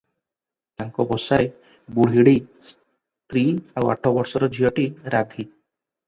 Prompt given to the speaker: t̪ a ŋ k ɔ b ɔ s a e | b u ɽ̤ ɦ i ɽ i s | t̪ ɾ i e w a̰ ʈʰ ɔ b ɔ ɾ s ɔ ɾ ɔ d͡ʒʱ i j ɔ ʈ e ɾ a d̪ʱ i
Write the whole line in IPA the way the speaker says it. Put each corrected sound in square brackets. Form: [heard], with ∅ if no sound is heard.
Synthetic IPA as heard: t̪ a ŋ k ɔ b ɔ s a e | b u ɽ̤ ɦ i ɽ i s | t̪ ɾ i [a] w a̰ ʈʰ ɔ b ɔ ɾ s ɔ ɾ ɔ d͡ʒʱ i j ɔ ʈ [i] ɾ a d̪ʱ i

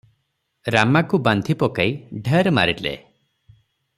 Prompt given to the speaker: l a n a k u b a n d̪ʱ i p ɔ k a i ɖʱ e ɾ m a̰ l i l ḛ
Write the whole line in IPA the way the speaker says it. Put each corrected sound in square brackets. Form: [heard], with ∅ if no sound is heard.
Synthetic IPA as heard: [ɾ] a [m] a k u b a n d̪ʱ i p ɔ k a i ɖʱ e ɾ m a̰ [ɾ] i l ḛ

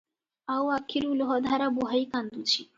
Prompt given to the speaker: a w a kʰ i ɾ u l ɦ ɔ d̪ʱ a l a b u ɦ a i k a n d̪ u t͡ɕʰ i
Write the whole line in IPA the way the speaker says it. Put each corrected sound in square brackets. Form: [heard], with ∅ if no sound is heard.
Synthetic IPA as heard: a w a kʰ i ɾ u l ɦ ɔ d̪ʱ a [ɾ] a b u ɦ a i k a n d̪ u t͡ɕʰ i

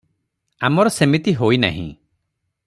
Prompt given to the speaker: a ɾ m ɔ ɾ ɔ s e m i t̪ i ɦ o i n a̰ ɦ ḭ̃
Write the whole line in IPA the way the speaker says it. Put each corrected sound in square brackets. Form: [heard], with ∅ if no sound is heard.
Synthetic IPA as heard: a [∅] m ɔ ɾ ɔ s e m i t̪ i ɦ o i n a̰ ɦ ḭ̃

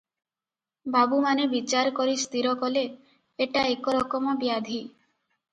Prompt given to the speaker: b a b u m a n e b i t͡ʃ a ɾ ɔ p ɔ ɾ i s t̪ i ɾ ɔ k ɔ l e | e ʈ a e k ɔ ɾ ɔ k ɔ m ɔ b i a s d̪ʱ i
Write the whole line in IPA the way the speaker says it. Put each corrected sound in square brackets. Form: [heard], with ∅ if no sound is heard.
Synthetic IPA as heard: b a b u m a n e b i t͡ʃ a ɾ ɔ [k] ɔ ɾ i s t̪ i ɾ ɔ k ɔ l e | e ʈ a e k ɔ ɾ ɔ k ɔ m ɔ b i a [∅] d̪ʱ i

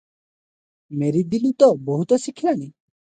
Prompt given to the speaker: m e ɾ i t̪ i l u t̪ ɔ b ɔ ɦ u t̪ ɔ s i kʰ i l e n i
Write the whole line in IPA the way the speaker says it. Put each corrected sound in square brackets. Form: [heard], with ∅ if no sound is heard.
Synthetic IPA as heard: m e ɾ i [d̪] i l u t̪ ɔ b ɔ ɦ u t̪ ɔ s i kʰ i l [a] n i

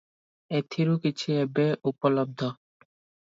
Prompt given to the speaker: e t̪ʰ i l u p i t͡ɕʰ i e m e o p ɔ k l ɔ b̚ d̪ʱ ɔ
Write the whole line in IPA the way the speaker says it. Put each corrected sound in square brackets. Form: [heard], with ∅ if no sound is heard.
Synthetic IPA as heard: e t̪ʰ i [ɾ] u [k] i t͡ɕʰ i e [b] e [u] p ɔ [∅] l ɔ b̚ d̪ʱ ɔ

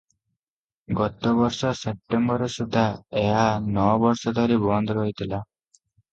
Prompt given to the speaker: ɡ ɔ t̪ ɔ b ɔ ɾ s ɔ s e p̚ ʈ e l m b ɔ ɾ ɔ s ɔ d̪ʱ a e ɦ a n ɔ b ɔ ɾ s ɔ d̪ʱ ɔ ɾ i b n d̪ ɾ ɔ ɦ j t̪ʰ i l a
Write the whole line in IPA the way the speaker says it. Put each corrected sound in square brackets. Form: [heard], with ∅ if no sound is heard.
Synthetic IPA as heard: ɡ ɔ t̪ ɔ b ɔ ɾ s ɔ s e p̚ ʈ e [∅] m b ɔ ɾ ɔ s [u] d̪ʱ a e ɦ a n ɔ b ɔ ɾ s ɔ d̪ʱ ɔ ɾ i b n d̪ ɾ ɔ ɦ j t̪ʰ i l a

